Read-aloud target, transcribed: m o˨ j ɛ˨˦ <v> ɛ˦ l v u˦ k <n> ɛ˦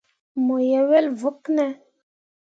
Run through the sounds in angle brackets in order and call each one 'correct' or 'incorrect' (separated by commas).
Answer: incorrect, correct